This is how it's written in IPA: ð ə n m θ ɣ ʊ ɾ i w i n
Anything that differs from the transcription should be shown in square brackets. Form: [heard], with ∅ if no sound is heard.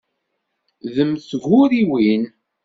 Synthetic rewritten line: ð ə [∅] m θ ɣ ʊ ɾ i w i n

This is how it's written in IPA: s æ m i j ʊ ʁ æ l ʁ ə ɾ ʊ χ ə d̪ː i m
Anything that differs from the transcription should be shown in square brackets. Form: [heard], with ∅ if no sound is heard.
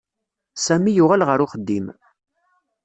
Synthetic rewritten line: s æ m i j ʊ ʁ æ l ʁ ə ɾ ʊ χ ə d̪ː i m

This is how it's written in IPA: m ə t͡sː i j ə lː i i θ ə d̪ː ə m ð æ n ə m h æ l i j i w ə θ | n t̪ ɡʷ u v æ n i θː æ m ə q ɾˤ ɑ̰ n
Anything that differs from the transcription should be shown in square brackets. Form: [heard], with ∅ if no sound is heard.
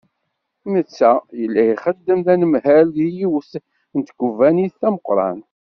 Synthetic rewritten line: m ə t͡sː [æ] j ə lː [æ] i [χ] ə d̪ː ə m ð æ n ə m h æ l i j i w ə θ | n t̪ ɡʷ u v æ n i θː æ m ə q ɾˤ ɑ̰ n

